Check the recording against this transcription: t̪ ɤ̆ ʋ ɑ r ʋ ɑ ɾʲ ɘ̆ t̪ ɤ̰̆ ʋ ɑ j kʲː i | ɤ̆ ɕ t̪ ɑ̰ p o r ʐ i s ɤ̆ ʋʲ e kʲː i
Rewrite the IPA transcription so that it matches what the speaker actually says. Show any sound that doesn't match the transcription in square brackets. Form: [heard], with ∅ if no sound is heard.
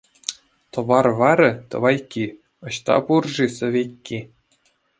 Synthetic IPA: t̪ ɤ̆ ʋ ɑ r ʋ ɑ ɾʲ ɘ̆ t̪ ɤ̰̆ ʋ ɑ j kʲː i | ɤ̆ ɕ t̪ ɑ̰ p [u] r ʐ i s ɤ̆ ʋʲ e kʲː i